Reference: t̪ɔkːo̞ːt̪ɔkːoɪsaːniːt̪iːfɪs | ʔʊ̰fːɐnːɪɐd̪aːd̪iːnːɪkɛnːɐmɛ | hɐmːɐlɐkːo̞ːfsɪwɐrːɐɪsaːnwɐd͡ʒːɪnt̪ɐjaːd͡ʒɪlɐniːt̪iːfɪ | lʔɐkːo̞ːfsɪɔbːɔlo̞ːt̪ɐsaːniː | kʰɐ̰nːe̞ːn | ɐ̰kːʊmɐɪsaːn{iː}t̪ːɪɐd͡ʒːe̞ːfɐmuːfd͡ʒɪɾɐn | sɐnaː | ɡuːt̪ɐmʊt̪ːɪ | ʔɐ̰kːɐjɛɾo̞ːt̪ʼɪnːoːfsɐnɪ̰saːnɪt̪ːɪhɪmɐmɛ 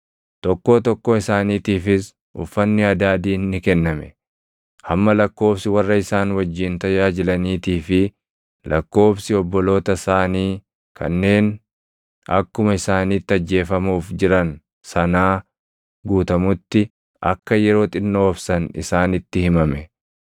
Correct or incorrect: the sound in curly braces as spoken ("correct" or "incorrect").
correct